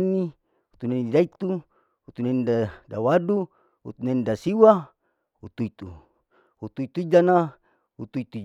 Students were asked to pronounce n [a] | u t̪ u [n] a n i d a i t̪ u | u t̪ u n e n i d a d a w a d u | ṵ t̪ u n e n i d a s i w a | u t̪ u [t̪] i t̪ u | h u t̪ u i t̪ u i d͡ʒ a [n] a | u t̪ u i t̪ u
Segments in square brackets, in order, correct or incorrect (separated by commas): incorrect, correct, incorrect, correct